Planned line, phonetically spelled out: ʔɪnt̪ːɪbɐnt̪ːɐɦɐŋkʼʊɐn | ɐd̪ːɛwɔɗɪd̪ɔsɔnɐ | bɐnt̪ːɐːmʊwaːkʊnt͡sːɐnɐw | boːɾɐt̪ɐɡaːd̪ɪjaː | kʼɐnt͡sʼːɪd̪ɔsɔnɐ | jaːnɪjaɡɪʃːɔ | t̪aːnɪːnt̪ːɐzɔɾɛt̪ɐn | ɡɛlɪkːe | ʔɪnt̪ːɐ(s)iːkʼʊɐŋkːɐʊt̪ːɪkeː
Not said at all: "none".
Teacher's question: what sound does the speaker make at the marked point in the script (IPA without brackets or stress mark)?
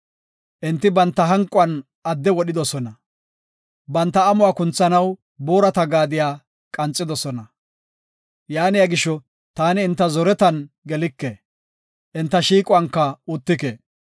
ʃ